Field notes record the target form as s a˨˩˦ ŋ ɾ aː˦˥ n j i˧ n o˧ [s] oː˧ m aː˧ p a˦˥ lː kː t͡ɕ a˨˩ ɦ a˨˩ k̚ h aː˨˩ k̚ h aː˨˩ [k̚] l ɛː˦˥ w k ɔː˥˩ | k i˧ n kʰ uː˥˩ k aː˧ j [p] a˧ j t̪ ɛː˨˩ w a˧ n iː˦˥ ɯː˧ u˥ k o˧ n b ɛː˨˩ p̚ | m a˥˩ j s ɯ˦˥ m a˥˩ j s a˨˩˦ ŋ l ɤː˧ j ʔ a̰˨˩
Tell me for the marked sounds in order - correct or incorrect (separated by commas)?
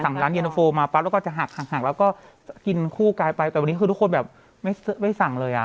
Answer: incorrect, correct, correct